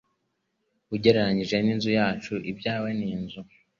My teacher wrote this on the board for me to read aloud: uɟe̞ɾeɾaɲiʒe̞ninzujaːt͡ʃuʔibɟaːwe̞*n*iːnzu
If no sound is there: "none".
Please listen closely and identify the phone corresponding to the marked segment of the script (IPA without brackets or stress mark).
n